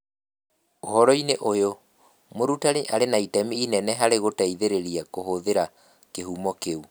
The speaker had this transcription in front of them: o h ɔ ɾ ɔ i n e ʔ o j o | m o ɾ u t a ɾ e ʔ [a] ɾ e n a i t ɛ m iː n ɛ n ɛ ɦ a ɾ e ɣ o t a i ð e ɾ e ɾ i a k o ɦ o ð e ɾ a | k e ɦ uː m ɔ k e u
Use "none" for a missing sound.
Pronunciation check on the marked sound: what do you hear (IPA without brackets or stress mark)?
a